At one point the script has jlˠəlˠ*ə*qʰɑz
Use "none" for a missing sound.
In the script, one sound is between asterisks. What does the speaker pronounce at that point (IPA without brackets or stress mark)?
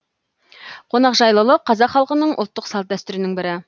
ə